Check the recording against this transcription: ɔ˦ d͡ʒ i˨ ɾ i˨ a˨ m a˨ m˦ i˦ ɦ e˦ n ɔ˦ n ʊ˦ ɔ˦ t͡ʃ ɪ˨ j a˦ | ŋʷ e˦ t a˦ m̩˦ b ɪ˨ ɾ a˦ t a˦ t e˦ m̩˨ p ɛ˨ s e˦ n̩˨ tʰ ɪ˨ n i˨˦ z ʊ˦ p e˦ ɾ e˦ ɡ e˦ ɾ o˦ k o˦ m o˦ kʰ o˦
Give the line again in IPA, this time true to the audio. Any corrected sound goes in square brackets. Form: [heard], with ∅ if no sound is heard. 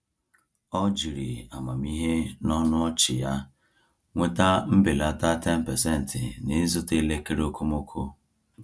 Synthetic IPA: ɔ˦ d͡ʒ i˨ ɾ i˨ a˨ m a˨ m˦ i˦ ɦ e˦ n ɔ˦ n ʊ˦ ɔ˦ t͡ʃ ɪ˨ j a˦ | ŋʷ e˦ t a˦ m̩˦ b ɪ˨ [l] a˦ t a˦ t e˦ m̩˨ p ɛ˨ s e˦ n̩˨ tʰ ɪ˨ n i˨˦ z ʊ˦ [t] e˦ [l] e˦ [k] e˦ ɾ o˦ k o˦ m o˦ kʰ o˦

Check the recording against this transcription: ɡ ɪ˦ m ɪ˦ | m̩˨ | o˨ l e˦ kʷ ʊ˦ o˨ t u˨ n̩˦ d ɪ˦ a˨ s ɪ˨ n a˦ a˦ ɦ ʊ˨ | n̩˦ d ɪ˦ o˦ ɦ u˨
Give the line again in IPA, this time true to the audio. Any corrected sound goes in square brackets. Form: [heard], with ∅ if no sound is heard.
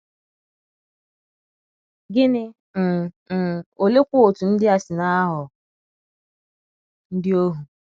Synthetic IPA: ɡ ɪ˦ [n] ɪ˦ | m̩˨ | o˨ l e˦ kʷ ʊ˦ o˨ t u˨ n̩˦ d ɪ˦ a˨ s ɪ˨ n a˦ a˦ ɦ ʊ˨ | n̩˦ d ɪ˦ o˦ ɦ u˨

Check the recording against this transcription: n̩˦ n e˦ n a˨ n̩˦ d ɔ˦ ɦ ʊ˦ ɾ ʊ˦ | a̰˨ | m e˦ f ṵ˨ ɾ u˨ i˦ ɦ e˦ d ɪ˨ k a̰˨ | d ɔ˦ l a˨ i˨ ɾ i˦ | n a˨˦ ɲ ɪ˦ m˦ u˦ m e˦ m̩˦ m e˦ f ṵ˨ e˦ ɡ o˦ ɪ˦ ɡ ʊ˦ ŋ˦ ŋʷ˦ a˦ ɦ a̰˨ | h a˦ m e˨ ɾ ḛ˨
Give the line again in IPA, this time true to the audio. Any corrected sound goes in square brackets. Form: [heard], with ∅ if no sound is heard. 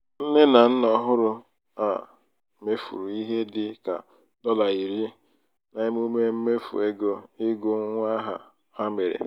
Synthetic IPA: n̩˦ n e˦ n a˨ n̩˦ [n] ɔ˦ ɦ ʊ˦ ɾ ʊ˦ | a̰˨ | m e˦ f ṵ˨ ɾ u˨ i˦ ɦ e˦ d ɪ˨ k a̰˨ | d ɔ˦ l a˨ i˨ ɾ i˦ | n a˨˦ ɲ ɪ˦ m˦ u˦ m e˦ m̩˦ m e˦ f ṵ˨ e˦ ɡ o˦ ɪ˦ ɡ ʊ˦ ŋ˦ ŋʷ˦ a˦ ɦ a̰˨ | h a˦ m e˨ ɾ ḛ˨

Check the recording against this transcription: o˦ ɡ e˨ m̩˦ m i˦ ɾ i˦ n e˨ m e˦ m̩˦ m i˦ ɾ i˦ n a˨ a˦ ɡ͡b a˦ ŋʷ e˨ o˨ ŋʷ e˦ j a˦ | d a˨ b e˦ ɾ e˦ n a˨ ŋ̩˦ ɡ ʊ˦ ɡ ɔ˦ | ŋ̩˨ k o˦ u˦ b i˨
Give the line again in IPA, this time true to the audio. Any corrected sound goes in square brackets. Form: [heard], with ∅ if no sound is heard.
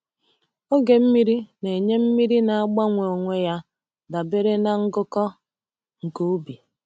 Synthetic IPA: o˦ ɡ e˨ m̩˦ m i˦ ɾ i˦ n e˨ [ɲ] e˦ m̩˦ m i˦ ɾ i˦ n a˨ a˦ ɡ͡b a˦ ŋʷ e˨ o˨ ŋʷ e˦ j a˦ | d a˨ b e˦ ɾ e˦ n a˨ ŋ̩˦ ɡ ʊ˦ [k] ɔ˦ | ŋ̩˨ k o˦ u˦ b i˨

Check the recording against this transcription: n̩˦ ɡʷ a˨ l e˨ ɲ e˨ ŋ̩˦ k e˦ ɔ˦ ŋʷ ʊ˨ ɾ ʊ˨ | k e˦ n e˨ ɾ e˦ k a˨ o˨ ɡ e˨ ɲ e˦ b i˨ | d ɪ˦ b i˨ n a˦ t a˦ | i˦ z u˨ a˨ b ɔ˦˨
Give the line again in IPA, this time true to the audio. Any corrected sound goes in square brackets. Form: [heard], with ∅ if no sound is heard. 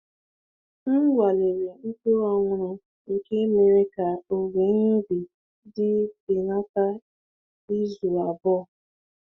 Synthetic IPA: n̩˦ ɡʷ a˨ l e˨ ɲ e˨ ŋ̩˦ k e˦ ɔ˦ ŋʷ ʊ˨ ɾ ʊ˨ | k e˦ [m] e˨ ɾ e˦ k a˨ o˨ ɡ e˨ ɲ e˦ b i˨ | d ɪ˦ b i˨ n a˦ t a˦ | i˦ z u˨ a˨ b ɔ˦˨

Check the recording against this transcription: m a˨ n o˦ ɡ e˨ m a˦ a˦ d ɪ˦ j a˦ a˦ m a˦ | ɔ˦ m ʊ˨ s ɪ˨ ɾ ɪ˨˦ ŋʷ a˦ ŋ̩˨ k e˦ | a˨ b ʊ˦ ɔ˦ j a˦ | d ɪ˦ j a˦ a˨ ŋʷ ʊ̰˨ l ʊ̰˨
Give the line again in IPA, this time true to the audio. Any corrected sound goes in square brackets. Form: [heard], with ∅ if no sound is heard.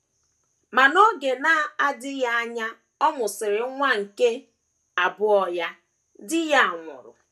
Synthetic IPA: m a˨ n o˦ ɡ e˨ [n] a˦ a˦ d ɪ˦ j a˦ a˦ [ɲ] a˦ | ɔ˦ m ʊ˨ s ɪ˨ ɾ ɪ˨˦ ŋʷ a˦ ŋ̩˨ k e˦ | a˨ b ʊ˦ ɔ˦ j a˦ | d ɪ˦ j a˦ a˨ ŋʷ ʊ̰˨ [ɾ] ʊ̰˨

